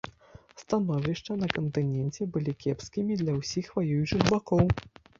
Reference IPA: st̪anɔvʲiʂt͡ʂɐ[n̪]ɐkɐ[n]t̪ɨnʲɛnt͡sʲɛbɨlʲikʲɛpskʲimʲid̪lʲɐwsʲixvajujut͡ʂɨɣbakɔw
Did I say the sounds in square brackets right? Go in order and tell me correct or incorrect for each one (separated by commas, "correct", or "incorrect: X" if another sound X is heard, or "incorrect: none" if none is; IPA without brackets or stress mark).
correct, correct